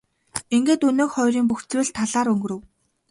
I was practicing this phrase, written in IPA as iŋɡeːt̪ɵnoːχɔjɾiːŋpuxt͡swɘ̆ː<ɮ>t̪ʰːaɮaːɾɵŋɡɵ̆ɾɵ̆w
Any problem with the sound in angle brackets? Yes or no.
no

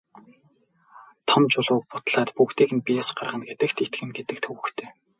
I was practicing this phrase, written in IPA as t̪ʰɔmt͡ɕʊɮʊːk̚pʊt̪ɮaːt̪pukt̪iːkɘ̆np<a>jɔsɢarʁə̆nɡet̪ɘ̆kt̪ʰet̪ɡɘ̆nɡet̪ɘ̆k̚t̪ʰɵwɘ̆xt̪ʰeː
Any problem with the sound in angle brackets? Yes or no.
yes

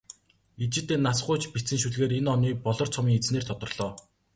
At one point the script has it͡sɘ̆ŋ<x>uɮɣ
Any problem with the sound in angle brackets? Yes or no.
yes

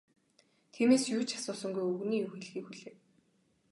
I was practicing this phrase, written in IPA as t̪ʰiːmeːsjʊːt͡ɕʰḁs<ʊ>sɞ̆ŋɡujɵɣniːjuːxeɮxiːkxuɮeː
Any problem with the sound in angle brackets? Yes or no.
yes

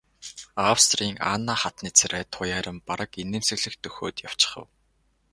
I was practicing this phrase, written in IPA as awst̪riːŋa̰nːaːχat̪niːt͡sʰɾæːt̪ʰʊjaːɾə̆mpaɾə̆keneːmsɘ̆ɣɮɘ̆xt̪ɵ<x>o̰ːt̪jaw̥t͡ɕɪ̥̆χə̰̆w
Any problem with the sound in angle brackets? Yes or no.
no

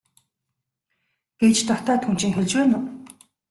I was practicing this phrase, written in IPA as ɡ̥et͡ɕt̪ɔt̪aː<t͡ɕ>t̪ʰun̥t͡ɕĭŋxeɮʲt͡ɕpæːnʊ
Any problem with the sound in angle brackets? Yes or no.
yes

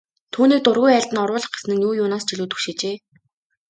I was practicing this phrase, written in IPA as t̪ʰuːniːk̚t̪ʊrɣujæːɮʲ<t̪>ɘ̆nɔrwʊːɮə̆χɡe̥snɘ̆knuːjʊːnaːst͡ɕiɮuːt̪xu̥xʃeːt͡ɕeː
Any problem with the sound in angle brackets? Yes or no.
no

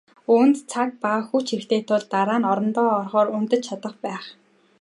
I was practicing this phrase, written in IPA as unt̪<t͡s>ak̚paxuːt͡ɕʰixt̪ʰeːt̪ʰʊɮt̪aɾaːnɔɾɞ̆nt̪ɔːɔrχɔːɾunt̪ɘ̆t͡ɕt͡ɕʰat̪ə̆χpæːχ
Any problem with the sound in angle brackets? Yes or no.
yes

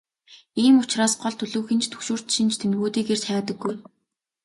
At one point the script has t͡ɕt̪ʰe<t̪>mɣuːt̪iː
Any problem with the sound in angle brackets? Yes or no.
yes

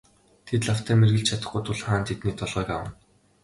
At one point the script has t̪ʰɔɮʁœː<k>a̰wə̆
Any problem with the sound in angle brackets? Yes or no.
no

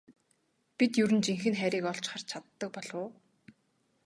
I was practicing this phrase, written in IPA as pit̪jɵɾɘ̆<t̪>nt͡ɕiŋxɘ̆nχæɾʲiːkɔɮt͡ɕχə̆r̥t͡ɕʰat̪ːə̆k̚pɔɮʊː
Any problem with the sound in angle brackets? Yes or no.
yes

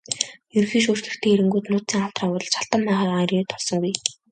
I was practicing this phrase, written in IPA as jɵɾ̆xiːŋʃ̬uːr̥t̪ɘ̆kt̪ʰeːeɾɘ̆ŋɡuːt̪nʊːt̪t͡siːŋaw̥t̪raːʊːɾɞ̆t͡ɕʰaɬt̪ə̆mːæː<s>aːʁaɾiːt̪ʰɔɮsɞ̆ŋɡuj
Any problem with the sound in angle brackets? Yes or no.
yes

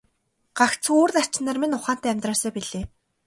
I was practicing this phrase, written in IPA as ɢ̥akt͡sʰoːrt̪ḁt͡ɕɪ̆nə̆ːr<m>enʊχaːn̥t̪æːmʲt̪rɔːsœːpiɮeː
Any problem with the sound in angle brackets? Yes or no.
no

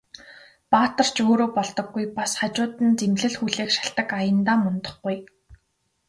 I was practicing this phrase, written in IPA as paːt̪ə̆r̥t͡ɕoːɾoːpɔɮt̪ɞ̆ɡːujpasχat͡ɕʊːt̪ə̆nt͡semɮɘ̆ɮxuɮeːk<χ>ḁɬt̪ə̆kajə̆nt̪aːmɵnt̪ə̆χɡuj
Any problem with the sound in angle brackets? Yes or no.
yes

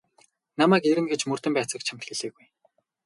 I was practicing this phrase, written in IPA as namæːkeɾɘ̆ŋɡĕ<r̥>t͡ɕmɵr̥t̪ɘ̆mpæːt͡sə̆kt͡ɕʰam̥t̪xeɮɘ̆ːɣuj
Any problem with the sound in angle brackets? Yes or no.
yes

